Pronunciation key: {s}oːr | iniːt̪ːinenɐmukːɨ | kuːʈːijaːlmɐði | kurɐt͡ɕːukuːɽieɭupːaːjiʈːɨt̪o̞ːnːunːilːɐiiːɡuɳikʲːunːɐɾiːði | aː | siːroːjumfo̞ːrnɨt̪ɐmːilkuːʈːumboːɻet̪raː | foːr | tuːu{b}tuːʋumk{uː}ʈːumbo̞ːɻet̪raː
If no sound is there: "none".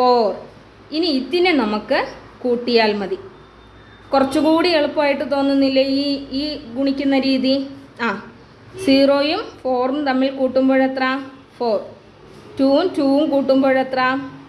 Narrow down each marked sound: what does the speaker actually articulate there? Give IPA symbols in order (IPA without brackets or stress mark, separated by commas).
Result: f, m, uː